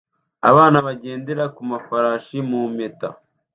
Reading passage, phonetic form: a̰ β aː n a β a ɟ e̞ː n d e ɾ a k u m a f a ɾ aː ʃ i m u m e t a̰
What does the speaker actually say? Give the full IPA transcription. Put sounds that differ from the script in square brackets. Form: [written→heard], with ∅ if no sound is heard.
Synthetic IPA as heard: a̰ β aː n a β a ɟ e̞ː n d e ɾ a k u m a f a ɾ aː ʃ i m u m e t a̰